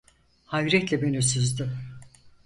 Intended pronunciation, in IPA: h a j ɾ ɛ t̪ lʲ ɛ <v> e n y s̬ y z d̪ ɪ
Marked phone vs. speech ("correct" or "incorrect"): incorrect